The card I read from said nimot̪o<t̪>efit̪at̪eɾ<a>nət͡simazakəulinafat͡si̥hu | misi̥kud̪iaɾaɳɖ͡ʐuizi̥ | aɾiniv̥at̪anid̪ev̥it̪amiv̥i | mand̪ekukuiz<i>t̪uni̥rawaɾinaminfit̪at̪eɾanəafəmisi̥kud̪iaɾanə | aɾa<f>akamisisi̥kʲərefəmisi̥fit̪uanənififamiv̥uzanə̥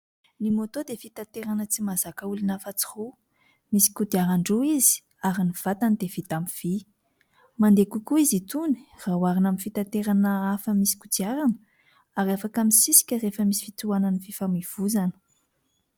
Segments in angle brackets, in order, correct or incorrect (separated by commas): incorrect, correct, correct, correct